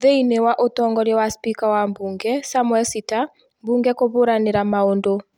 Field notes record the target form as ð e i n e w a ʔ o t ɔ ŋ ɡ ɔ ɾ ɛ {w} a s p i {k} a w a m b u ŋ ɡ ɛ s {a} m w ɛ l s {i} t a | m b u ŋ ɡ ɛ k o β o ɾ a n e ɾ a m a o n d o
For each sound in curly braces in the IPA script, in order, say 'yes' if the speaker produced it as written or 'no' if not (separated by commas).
yes, yes, yes, yes